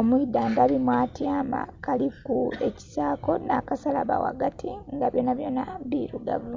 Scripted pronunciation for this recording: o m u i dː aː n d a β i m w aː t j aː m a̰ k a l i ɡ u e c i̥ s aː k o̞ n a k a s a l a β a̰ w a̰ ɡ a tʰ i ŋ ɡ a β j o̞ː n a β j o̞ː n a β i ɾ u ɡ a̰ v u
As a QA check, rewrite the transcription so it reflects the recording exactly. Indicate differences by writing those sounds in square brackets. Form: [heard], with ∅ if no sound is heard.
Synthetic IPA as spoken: o m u i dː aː n d a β i m w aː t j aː m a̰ k a l i [k] u e c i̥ s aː k o̞ n a k a s a l a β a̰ w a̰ ɡ a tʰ i ŋ ɡ a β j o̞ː n a β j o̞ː n a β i ɾ u ɡ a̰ v u